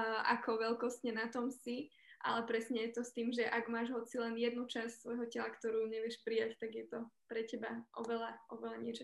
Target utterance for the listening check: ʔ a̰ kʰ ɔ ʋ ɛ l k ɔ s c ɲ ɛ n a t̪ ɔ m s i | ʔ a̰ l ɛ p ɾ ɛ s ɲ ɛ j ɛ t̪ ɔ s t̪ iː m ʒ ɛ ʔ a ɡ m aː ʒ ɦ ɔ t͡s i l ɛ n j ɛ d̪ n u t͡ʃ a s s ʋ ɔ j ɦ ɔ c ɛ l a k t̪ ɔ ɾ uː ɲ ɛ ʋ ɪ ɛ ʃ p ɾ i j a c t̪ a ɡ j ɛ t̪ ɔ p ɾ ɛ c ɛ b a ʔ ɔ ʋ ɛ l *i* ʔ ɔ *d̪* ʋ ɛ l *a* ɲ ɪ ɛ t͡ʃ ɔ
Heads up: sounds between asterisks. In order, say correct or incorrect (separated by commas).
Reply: incorrect, incorrect, correct